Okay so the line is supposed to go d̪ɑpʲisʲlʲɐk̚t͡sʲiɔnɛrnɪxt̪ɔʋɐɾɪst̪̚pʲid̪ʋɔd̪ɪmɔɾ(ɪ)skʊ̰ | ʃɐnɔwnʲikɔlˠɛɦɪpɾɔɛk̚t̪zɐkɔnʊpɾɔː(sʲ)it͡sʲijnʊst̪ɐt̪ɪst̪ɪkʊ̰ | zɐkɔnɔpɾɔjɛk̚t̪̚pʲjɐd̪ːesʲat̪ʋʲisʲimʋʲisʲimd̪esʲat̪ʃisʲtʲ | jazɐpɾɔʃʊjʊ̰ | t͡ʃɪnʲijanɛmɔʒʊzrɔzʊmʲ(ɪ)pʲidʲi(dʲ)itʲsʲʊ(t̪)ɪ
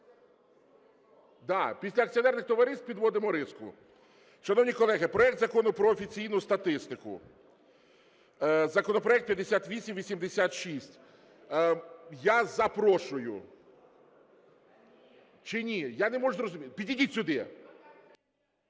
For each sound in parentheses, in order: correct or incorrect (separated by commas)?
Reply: correct, incorrect, incorrect, correct, incorrect